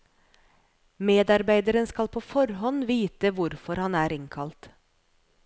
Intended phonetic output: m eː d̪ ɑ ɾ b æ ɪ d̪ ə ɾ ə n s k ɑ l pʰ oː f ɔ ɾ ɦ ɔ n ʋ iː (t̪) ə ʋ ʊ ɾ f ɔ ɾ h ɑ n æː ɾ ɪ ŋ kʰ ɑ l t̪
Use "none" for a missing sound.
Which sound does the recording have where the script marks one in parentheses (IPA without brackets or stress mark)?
t̪